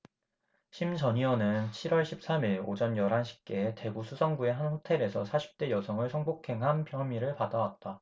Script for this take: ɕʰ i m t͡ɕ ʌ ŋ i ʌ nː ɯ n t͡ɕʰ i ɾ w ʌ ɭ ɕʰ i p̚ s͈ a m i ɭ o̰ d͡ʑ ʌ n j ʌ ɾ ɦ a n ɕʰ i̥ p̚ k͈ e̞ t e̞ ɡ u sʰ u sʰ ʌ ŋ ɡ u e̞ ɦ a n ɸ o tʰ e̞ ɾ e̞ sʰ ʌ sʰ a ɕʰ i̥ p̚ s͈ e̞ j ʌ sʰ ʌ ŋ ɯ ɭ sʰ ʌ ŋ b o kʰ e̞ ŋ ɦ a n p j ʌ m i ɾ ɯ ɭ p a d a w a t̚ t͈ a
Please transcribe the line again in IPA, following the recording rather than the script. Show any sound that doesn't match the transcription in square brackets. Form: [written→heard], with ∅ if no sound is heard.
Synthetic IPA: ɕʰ i m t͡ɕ ʌ [ŋ→ɲ] i ʌ [nː→n] ɯ n t͡ɕʰ i ɾ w ʌ ɭ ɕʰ i p̚ s͈ a m i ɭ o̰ d͡ʑ ʌ n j ʌ ɾ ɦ a n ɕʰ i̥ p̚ k͈ e̞ t e̞ ɡ u sʰ u sʰ ʌ ŋ ɡ u e̞ ɦ a n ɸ o tʰ e̞ ɾ e̞ sʰ ʌ sʰ a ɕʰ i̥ p̚ [s͈→t͈] e̞ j ʌ sʰ ʌ ŋ ɯ ɭ sʰ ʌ ŋ b o kʰ e̞ ŋ ɦ a n p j ʌ m i ɾ ɯ ɭ p a d a w a t̚ t͈ a